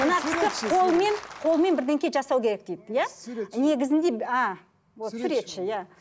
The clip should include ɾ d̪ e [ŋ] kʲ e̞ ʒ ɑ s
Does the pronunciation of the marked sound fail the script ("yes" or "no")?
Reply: no